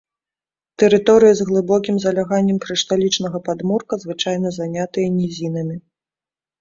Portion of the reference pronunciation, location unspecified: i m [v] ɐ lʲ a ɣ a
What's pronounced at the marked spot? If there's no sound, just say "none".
z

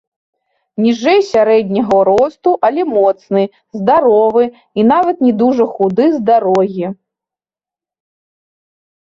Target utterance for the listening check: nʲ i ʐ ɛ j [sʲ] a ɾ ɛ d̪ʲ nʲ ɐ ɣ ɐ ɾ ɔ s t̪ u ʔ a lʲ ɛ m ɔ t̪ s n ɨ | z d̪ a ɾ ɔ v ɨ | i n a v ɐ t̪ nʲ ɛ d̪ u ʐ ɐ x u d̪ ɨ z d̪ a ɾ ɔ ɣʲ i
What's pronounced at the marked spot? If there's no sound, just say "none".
sʲ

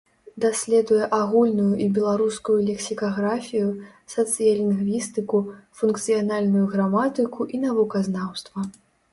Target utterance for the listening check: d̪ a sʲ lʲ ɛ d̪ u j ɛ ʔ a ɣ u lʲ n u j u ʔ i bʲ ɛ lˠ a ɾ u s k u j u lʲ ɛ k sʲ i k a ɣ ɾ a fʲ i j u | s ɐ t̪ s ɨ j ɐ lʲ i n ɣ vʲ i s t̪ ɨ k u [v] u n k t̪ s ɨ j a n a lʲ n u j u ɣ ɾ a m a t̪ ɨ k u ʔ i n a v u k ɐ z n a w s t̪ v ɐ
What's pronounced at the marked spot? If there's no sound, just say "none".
f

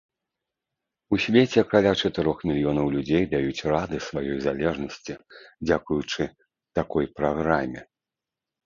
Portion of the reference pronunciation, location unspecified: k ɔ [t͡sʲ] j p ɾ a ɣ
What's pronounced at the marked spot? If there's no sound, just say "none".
none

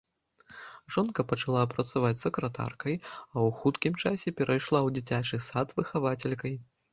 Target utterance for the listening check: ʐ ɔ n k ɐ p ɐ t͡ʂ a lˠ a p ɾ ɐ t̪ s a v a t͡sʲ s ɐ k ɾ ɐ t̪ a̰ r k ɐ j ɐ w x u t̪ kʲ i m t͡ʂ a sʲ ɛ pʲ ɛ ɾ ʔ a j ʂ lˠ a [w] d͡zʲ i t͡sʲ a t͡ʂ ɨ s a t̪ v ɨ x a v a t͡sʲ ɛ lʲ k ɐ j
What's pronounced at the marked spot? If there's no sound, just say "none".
w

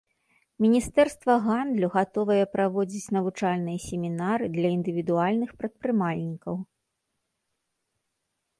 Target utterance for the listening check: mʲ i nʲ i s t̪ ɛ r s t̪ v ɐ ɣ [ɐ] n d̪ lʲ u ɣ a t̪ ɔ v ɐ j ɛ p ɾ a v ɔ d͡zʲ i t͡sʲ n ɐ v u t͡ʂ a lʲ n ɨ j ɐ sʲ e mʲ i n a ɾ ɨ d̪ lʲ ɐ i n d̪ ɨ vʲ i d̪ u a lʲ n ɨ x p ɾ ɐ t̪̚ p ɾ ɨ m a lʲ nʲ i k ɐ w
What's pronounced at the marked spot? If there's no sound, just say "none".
a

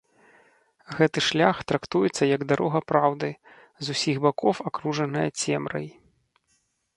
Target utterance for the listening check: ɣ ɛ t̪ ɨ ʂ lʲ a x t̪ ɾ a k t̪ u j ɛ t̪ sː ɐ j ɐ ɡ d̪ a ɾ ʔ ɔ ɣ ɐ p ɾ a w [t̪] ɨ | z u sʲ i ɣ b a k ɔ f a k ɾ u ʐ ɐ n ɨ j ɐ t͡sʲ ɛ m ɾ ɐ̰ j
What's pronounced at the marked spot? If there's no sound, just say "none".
d̪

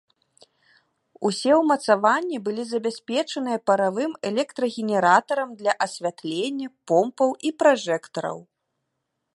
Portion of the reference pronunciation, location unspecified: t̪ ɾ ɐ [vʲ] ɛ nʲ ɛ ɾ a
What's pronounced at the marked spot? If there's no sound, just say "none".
ɣʲ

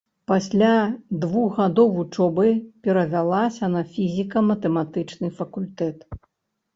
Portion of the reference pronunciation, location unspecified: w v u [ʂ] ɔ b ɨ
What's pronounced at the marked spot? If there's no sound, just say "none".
t͡ʂ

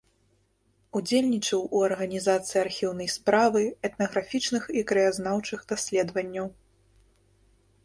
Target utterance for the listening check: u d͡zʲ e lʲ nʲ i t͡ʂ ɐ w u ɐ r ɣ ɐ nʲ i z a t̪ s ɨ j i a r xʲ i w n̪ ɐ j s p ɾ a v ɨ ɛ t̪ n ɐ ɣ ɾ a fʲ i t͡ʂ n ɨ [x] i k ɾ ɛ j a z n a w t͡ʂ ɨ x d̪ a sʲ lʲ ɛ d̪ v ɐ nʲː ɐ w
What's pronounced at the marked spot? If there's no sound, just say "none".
x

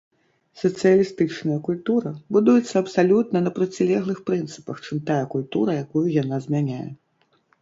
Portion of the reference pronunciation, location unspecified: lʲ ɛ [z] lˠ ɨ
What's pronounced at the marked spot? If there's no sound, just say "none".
ɣ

